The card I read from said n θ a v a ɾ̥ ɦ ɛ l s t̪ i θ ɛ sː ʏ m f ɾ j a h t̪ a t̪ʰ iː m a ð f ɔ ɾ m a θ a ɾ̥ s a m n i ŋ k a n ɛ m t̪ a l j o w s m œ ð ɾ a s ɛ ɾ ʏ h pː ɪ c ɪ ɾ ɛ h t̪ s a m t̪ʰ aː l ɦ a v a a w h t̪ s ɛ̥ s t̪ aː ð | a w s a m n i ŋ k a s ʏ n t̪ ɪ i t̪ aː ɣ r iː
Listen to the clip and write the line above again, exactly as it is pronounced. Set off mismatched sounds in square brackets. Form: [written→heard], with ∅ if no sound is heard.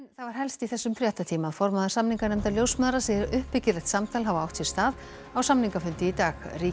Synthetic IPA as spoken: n θ a v a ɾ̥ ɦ ɛ l s t̪ i θ ɛ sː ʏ m f ɾ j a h t̪ a t̪ʰ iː m a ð f ɔ ɾ m a [θ→ð] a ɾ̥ s a m n i ŋ k a n ɛ m t̪ a l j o w s m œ ð ɾ a s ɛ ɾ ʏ h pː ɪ c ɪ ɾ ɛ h t̪ s a m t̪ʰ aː l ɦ a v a a w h t̪ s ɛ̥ s t̪ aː ð | a w s a m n i ŋ k a [s→f] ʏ n t̪ ɪ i t̪ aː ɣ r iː